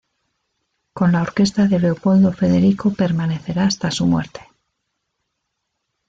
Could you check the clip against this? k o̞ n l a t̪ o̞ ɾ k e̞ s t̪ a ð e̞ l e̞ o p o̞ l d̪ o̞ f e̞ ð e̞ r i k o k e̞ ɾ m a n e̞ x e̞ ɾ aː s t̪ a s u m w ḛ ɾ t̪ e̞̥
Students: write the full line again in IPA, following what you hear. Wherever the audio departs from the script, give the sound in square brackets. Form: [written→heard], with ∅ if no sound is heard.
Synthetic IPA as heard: k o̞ n l a [t̪→∅] o̞ ɾ k e̞ s t̪ a ð e̞ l e̞ o p o̞ l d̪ o̞ f e̞ ð e̞ [r→ɾ] i k o [k→p] e̞ ɾ m a n e̞ [x→θ] e̞ ɾ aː s t̪ a s u m w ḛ ɾ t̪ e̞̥